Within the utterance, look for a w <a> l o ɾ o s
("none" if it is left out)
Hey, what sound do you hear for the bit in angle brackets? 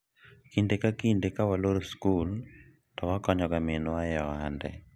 a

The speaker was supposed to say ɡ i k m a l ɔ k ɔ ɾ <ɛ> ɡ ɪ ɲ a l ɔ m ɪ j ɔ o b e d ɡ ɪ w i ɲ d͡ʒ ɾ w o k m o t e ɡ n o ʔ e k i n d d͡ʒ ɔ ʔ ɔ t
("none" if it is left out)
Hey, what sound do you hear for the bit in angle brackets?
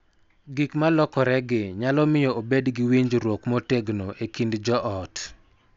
ɛ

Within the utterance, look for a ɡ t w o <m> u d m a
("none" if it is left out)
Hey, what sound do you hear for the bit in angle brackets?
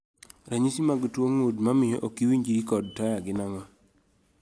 ŋ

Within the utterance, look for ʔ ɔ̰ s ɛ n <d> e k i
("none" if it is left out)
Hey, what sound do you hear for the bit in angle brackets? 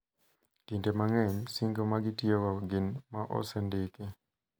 d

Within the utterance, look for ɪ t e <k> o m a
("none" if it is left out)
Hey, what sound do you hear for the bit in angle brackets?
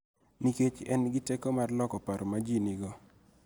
k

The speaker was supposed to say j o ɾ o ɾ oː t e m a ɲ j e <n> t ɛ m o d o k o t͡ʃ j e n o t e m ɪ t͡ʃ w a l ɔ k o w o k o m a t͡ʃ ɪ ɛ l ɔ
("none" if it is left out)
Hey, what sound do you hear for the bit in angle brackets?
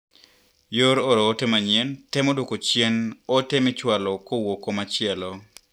n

